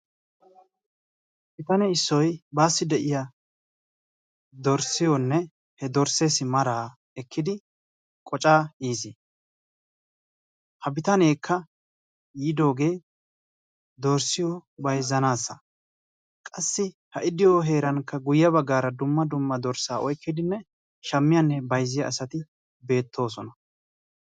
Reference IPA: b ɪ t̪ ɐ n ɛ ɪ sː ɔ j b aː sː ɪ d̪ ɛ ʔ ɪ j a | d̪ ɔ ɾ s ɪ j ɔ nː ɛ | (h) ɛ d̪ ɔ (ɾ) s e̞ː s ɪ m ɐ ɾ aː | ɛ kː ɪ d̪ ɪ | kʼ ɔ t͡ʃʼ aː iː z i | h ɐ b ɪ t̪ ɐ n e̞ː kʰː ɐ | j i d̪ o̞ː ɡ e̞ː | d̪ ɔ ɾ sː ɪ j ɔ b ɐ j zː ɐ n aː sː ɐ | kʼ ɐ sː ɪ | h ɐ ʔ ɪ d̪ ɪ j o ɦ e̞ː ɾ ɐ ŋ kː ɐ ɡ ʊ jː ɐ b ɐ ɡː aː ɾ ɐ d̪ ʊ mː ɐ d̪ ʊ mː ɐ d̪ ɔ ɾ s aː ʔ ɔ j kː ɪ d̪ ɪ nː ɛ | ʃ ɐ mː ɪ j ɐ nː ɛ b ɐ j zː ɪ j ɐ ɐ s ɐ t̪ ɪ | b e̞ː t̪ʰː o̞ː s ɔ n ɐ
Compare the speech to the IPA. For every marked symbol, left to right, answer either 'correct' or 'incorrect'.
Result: correct, correct

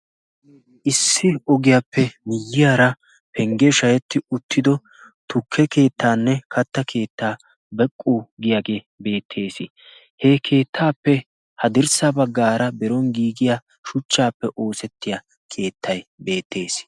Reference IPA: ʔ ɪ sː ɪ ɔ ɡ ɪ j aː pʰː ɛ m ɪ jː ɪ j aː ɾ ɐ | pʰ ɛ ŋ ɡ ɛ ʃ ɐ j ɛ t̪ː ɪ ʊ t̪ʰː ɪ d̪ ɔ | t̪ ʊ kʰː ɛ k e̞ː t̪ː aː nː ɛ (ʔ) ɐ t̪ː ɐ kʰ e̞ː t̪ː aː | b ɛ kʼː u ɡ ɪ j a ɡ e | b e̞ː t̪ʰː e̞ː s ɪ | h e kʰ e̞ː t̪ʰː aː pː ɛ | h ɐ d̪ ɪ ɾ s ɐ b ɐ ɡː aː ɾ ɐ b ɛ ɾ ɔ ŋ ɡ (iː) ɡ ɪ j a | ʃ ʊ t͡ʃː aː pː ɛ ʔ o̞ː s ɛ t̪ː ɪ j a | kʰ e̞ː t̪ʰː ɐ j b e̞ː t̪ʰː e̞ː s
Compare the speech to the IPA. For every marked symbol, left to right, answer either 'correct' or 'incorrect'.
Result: incorrect, correct

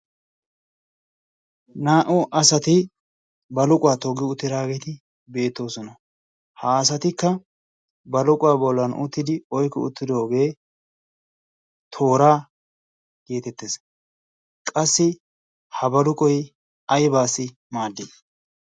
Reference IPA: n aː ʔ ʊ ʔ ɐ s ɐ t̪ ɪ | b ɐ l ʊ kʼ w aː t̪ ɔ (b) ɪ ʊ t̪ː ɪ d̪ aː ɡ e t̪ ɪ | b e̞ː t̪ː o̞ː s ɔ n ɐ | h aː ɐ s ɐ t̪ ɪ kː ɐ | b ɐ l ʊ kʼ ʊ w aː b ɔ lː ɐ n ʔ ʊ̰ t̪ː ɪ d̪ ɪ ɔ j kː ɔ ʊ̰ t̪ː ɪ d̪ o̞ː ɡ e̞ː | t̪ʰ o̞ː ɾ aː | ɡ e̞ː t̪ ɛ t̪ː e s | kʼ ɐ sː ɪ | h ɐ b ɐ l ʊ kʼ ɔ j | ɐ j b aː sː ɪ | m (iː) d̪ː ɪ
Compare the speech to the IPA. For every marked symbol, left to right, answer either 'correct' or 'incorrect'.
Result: incorrect, incorrect

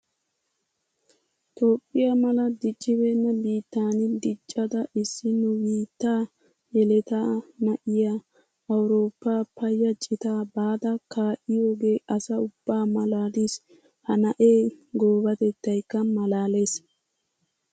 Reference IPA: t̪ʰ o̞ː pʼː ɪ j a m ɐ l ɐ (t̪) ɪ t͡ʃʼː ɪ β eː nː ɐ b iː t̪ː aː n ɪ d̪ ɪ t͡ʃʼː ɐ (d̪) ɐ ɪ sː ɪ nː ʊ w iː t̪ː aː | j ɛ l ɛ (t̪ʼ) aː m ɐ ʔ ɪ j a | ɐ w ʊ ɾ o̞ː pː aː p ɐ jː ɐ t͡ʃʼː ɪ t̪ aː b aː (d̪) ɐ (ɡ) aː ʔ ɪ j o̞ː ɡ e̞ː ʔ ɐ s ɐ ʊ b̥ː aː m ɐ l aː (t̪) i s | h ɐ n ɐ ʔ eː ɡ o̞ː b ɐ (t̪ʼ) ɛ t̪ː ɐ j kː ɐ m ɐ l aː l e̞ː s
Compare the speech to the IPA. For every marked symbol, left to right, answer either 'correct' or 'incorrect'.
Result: incorrect, correct, incorrect, correct, incorrect, incorrect, incorrect

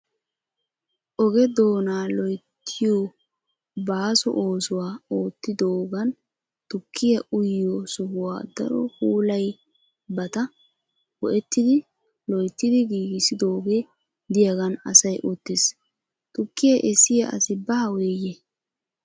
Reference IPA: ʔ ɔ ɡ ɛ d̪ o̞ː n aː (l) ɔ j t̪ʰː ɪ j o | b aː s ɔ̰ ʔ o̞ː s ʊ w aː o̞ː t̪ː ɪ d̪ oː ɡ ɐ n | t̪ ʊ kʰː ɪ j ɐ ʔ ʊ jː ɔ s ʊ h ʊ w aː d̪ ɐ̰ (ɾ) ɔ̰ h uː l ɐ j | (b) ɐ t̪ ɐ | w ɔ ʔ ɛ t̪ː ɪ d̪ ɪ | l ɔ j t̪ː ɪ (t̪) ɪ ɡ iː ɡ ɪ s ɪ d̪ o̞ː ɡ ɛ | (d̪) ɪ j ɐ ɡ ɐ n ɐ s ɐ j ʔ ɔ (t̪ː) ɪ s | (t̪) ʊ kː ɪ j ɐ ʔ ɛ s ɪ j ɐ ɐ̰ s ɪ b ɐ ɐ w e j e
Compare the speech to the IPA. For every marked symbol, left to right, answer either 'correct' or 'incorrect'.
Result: correct, correct, correct, incorrect, correct, correct, correct

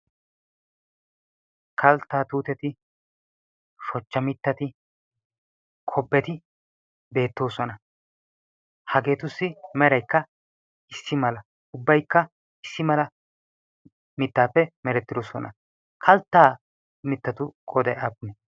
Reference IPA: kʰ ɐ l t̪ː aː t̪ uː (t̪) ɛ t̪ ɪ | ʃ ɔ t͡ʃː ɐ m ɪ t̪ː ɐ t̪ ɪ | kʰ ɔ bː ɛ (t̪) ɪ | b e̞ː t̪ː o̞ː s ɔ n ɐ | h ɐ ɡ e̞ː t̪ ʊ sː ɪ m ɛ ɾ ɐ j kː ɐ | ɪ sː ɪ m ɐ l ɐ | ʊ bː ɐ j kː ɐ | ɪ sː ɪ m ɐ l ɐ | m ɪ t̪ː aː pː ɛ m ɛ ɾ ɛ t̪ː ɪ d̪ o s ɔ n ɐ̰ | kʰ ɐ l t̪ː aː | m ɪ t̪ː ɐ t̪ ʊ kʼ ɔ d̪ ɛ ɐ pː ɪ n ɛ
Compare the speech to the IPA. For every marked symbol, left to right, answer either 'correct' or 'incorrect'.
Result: correct, correct

